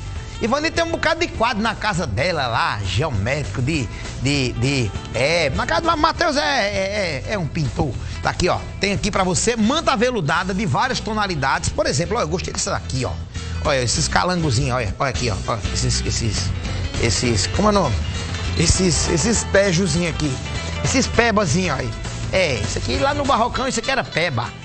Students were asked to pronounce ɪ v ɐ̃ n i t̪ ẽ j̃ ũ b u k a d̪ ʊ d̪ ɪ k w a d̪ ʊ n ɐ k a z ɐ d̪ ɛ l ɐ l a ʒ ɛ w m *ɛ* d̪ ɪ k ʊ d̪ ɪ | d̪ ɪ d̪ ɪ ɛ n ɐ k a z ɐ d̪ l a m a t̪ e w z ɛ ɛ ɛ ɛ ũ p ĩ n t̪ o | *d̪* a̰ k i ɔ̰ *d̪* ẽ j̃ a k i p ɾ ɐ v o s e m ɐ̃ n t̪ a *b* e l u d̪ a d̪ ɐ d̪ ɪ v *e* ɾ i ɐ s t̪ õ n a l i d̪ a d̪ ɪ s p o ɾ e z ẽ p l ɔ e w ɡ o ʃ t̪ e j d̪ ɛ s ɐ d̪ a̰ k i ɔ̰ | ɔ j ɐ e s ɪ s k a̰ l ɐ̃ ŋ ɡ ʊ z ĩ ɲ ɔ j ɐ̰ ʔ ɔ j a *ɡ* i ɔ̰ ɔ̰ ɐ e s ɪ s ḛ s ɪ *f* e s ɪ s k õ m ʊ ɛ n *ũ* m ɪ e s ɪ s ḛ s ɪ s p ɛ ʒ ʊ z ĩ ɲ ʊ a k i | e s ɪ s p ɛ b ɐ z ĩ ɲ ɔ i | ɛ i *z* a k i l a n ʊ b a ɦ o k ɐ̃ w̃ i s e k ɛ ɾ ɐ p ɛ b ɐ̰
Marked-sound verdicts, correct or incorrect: correct, correct, incorrect: t̪, incorrect: v, incorrect: a, incorrect: k, incorrect: s, incorrect: õ, incorrect: s

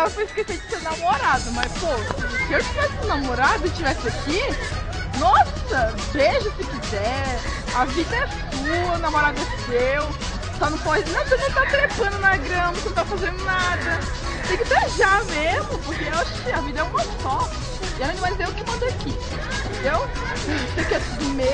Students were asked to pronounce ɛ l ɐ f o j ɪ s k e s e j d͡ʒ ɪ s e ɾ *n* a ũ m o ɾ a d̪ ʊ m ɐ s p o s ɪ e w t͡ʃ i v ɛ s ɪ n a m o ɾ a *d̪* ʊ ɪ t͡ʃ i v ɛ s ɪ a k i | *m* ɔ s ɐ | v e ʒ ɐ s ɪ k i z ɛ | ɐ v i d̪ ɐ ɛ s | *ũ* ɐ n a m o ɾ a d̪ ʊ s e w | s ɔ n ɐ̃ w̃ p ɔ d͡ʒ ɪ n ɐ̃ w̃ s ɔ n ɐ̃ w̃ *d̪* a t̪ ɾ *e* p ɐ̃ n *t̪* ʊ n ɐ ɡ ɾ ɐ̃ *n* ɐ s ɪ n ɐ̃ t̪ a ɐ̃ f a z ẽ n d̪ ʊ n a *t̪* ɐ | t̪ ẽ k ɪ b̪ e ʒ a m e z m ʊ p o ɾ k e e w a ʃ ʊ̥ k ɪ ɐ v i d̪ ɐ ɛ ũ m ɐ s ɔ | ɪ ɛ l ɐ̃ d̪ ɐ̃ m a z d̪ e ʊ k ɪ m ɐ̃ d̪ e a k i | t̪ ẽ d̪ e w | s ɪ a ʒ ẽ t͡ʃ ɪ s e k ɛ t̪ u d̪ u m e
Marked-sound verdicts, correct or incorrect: correct, correct, incorrect: n, incorrect: u, incorrect: t̪, correct, incorrect: d̪, incorrect: m, incorrect: d̪

